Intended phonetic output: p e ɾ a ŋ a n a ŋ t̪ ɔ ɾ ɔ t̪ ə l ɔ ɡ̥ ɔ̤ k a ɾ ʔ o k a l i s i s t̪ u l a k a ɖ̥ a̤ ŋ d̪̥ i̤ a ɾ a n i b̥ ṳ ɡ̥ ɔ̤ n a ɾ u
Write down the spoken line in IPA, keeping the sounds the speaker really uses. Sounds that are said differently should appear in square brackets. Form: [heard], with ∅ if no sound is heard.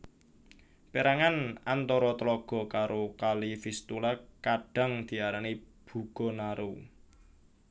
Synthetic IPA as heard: p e ɾ a ŋ a n a [n] t̪ ɔ ɾ ɔ t̪ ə l ɔ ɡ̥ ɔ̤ k a ɾ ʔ o k a l i [f] i s t̪ u l a k a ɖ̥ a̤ ŋ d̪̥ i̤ a ɾ a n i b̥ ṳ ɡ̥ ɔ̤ n a ɾ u